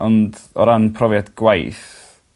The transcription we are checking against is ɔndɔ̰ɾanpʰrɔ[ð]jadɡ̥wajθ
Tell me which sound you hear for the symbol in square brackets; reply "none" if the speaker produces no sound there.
v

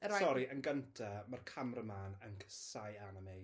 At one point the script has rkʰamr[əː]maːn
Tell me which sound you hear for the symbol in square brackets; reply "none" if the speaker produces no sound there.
ə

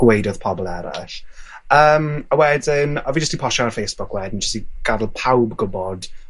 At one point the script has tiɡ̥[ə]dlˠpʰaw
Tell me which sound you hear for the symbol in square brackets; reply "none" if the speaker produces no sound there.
a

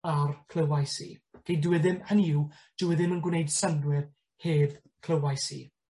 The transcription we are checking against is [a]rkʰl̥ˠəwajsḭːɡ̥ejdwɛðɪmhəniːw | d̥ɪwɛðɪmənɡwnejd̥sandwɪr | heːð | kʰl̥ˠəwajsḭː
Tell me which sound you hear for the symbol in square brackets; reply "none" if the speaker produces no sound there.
a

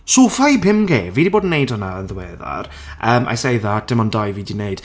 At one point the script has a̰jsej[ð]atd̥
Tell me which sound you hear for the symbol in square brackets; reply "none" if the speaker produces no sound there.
ð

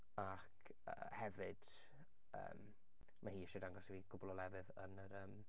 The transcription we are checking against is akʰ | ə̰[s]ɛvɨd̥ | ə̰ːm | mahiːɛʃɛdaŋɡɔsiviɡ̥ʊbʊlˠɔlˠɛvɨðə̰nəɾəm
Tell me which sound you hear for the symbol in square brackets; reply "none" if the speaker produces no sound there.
h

